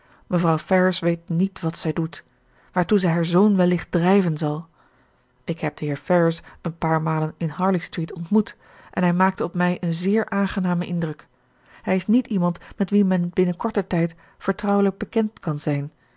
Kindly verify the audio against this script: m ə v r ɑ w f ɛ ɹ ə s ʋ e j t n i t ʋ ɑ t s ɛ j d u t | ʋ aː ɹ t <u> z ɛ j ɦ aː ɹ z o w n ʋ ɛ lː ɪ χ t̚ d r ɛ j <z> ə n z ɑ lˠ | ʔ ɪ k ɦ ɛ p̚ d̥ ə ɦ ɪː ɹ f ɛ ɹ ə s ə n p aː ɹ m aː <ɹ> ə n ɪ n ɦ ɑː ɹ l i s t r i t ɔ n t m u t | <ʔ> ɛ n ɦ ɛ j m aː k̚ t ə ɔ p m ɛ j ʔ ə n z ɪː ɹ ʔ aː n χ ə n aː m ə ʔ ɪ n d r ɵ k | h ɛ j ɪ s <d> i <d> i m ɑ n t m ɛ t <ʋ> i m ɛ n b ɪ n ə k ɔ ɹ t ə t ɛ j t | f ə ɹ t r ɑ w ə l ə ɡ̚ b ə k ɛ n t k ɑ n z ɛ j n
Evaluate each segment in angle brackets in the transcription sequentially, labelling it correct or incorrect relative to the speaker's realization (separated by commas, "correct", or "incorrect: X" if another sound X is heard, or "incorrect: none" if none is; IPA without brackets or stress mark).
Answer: correct, incorrect: v, incorrect: l, correct, incorrect: n, incorrect: t, correct